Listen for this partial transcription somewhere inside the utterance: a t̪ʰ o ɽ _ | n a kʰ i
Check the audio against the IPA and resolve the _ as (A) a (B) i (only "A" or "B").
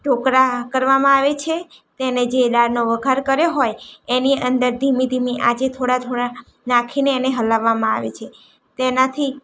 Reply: A